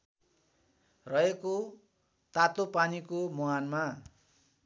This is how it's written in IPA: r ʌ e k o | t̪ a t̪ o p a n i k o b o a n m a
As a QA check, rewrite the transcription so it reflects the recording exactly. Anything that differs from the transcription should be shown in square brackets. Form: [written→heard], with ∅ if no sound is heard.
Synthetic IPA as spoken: r ʌ e k o | t̪ a t̪ o p a n i k o [b→m] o a n m a